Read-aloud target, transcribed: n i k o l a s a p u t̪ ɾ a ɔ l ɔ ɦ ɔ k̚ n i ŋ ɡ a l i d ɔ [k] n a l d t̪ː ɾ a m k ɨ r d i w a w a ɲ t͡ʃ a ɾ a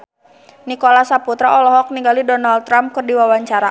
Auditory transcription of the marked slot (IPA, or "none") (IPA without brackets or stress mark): none